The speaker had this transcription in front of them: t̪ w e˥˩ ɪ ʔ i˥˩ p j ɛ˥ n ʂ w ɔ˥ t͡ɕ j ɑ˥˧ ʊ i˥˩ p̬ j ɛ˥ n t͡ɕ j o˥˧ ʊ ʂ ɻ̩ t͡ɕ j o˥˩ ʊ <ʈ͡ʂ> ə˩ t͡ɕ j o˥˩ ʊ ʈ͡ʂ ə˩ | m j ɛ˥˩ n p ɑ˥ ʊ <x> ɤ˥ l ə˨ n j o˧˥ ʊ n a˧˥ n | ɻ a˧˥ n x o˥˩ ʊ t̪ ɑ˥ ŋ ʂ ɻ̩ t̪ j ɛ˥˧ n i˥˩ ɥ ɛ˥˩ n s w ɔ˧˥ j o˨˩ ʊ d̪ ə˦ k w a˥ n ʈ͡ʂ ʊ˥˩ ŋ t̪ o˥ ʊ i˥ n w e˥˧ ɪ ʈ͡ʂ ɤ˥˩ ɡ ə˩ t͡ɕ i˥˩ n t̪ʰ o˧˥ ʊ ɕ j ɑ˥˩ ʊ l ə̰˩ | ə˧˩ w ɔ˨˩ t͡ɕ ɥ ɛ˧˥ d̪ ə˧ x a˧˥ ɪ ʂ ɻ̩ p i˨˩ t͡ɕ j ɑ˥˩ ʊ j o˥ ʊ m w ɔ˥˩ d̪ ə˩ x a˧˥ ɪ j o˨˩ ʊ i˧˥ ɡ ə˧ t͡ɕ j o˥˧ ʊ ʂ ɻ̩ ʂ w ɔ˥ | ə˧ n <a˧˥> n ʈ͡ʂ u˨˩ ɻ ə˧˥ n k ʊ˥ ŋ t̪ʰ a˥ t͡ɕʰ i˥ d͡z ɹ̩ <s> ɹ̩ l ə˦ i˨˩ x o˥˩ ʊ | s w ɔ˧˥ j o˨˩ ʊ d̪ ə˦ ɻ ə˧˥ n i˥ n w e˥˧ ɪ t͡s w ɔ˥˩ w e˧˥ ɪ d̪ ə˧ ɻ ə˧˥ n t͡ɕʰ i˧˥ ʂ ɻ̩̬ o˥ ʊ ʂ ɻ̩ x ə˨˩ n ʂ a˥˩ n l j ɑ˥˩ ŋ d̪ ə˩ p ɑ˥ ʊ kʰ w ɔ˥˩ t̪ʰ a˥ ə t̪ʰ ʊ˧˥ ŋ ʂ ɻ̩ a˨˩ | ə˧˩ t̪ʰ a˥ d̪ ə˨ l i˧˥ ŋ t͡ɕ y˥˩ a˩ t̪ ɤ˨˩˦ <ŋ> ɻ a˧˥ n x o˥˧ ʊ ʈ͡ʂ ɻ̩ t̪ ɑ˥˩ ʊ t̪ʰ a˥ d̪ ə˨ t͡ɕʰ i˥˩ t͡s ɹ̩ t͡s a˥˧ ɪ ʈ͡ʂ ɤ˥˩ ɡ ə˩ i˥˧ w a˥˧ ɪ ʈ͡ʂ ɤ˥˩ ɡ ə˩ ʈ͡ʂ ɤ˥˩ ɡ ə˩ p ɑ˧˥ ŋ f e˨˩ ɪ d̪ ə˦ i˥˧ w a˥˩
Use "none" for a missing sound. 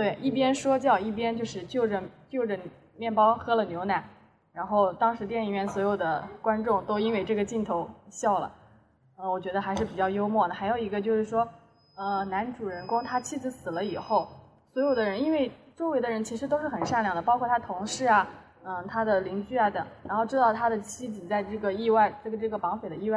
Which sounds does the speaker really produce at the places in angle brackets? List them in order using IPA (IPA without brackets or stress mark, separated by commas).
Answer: ʈ͡ʂ, x, a˧˥, s, ŋ